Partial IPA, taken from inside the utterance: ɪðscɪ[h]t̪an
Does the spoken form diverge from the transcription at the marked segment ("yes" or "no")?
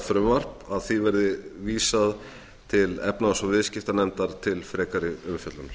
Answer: yes